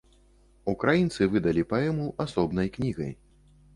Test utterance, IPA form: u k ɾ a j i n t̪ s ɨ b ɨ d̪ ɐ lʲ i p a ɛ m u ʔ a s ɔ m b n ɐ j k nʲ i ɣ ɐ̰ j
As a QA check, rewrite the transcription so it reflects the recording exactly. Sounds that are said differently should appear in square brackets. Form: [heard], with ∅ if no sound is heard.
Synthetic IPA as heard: u k ɾ a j i n t̪ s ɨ [v] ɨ d̪ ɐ lʲ i p a ɛ m u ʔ a s ɔ [∅] b n ɐ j k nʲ i ɣ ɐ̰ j